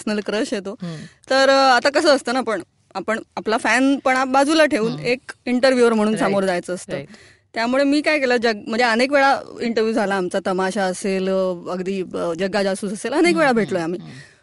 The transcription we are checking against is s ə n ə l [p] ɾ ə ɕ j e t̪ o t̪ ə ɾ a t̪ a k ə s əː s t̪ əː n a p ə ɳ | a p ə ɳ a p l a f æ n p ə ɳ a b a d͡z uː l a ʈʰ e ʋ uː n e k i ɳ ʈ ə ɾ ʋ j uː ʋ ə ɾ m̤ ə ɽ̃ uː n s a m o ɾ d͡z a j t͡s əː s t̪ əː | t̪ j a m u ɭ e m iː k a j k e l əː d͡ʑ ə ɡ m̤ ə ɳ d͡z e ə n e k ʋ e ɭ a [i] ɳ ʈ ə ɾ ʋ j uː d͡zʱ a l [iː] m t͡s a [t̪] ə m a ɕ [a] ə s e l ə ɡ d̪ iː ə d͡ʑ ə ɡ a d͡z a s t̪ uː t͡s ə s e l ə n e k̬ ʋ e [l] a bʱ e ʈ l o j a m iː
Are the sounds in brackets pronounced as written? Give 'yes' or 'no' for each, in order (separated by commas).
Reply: no, yes, no, yes, yes, no